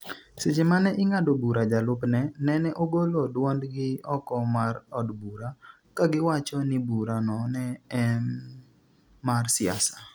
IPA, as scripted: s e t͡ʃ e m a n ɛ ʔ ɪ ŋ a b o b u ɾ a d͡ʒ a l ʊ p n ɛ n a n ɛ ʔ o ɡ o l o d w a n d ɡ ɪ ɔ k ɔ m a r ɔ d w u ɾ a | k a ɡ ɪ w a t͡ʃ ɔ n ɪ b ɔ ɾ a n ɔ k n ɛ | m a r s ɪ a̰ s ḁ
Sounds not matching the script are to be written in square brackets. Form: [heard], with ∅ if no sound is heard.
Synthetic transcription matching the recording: s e t͡ʃ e m a n ɛ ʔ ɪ ŋ a [d] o b u ɾ a d͡ʒ a l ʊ p n ɛ n [ɛ] n ɛ ʔ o ɡ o l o d w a n d ɡ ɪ ɔ k ɔ m a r ɔ d [b] u ɾ a | k a ɡ ɪ w a t͡ʃ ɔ n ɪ b [u] ɾ a n ɔ [∅] n ɛ | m a r s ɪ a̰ s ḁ